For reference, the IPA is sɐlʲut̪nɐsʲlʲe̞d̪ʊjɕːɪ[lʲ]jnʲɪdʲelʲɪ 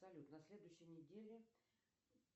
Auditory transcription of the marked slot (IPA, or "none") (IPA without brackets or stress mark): none